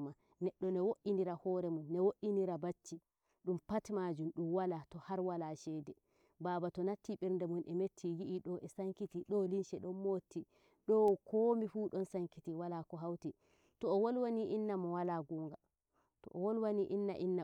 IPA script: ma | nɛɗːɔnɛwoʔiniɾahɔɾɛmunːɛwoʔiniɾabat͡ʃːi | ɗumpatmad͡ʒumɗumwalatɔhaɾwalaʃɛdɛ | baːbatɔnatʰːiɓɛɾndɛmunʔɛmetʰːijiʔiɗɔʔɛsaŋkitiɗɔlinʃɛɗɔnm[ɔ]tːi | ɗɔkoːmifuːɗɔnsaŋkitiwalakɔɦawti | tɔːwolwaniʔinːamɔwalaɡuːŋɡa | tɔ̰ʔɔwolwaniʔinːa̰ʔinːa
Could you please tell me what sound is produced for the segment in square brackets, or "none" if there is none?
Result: o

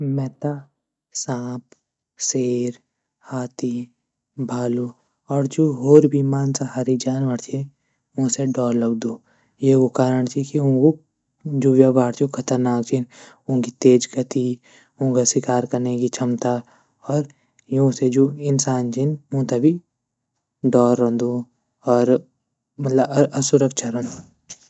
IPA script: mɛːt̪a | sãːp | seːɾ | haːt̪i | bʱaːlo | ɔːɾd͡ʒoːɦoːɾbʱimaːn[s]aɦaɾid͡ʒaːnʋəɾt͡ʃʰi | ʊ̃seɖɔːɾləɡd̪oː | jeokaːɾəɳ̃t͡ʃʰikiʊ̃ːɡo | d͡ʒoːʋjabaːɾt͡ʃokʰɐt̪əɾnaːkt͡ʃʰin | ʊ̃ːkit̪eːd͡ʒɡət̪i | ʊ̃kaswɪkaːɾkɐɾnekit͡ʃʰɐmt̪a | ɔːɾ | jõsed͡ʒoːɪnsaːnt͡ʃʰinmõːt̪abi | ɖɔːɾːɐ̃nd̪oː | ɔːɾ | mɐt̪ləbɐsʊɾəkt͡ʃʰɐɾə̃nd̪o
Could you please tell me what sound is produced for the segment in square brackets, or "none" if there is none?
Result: s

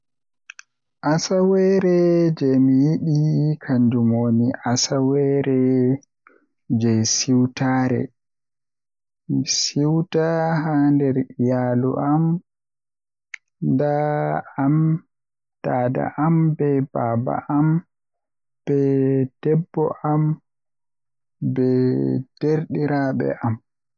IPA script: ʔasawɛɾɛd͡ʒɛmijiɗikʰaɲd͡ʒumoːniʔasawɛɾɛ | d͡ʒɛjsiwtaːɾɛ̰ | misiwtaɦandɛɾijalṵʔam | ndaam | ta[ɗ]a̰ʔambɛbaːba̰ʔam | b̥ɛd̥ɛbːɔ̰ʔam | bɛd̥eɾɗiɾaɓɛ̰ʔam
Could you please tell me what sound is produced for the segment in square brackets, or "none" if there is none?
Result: d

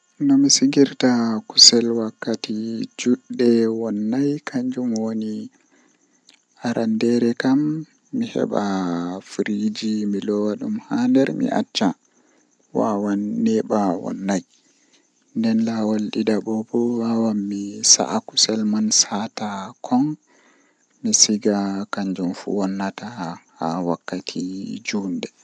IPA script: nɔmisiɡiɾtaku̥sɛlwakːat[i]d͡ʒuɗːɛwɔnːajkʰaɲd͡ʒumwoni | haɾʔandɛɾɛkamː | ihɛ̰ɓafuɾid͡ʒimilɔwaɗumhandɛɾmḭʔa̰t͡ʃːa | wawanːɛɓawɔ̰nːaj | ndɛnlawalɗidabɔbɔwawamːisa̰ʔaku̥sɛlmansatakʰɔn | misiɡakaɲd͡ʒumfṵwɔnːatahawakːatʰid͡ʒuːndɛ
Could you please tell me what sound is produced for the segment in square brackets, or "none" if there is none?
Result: i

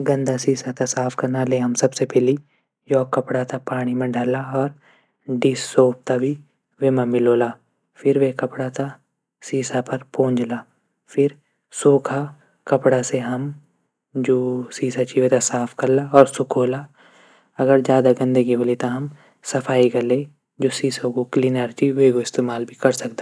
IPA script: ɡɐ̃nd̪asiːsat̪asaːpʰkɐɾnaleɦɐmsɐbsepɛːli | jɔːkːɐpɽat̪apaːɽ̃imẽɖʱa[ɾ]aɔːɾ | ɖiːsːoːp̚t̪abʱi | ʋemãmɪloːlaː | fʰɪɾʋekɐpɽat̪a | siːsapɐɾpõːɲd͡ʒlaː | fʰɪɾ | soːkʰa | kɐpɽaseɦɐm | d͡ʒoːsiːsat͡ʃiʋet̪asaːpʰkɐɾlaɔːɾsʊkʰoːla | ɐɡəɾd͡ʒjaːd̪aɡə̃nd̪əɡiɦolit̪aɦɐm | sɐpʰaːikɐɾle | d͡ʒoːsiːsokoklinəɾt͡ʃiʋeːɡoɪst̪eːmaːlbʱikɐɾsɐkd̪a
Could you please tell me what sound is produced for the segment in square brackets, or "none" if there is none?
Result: l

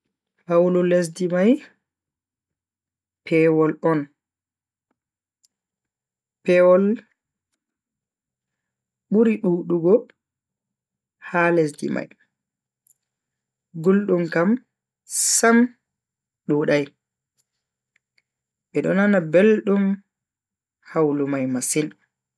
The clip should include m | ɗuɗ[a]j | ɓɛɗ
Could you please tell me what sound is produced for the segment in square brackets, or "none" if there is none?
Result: a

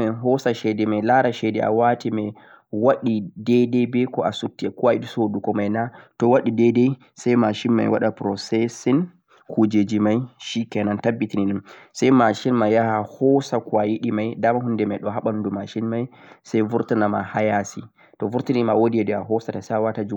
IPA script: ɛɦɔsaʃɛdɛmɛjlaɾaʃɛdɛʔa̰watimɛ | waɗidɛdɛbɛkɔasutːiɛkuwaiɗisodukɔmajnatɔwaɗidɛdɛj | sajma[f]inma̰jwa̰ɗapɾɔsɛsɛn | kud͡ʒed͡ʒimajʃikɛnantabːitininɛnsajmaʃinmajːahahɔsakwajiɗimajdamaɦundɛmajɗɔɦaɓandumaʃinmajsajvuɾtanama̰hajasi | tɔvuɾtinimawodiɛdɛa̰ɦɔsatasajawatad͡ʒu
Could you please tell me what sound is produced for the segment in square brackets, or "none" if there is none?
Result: ʃ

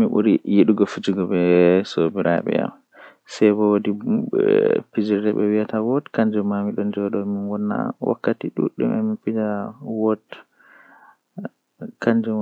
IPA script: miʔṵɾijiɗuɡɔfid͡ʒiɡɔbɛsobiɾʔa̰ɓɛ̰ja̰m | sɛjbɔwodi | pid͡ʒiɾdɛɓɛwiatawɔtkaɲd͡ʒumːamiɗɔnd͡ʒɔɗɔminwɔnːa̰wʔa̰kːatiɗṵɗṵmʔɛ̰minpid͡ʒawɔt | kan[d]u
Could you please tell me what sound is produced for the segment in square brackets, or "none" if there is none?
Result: d͡ʒ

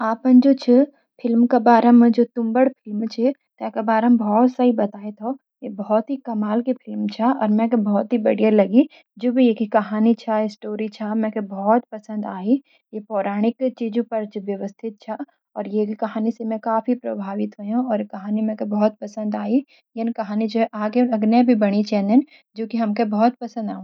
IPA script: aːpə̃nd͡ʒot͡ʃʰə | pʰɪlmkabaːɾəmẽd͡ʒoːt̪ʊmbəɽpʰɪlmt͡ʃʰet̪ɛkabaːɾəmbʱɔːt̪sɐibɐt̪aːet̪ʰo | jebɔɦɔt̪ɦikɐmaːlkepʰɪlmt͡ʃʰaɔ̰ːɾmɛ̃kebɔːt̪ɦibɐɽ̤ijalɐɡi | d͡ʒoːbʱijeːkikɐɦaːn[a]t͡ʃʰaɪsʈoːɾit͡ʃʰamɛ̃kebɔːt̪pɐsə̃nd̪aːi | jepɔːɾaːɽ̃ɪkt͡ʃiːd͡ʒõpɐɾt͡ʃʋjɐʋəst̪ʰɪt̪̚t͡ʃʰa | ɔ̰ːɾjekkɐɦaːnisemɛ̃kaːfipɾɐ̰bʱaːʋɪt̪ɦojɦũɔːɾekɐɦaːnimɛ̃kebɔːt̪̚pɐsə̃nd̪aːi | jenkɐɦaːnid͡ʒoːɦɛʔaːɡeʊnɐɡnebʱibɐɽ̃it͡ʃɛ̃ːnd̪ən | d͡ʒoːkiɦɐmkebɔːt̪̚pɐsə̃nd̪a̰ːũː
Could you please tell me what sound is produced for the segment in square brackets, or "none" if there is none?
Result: i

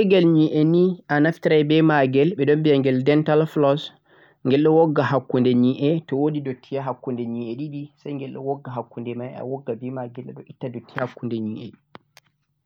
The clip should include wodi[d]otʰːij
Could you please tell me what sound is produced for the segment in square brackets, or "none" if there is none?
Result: d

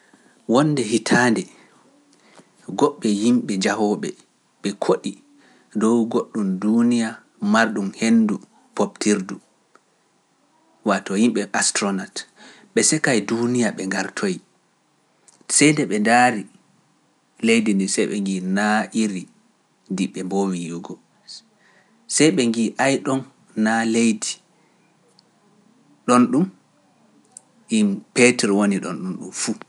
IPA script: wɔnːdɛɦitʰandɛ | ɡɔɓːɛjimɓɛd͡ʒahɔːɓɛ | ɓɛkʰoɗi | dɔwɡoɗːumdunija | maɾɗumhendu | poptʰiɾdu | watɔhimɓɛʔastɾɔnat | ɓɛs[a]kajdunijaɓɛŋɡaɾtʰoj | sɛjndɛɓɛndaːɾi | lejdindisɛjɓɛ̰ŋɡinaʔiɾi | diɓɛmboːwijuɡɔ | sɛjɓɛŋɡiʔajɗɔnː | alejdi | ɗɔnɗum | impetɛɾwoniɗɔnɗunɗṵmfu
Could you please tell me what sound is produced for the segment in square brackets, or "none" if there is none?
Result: ɛ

